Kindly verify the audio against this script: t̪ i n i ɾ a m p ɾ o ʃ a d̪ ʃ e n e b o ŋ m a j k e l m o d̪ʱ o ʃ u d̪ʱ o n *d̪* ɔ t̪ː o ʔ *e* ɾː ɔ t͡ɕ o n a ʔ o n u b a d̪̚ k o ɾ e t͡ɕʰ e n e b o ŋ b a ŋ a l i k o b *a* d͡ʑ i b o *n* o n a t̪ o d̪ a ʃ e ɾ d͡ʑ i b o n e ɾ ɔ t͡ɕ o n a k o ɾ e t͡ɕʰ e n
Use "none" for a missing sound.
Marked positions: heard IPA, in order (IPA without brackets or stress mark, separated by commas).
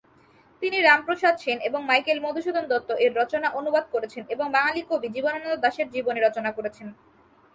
d̪, e, i, n